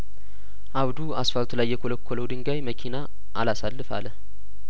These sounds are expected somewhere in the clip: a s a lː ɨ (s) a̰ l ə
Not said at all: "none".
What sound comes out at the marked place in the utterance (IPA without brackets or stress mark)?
f